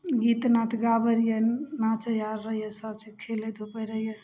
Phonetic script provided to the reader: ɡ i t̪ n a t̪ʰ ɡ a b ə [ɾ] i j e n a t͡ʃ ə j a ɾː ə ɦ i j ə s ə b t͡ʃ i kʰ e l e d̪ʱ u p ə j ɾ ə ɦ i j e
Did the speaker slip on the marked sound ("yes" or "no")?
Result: no